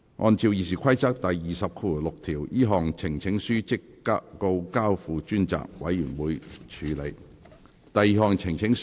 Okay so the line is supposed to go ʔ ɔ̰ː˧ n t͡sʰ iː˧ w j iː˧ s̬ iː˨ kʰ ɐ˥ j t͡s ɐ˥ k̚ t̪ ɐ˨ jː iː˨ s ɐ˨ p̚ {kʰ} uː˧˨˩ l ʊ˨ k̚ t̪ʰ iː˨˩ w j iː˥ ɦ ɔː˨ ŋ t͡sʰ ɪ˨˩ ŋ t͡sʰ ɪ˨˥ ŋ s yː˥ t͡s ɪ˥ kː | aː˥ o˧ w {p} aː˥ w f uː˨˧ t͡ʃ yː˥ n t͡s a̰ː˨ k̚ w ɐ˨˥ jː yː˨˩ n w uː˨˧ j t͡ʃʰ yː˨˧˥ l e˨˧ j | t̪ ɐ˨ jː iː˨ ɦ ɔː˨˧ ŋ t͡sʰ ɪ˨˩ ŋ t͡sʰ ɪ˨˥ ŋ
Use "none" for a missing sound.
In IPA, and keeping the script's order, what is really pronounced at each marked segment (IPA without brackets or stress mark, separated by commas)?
kʰ, k